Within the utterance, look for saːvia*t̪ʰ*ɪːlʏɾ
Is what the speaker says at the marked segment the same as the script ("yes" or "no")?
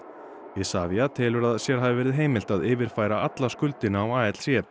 yes